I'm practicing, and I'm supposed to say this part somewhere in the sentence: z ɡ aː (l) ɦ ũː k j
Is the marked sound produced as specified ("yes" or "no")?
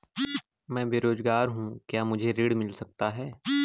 no